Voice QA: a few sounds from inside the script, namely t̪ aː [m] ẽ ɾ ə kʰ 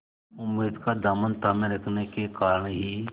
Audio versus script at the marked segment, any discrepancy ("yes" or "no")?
no